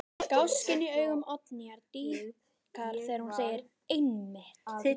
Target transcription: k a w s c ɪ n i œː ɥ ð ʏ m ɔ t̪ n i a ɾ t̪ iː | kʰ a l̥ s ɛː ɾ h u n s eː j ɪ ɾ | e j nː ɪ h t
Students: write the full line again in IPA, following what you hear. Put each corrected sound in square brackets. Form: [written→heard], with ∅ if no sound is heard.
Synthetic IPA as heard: k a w s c ɪ n i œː ɥ [ð→ɣ] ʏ m ɔ t̪ n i a ɾ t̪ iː | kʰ a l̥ [s→θ] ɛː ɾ h u n s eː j ɪ ɾ | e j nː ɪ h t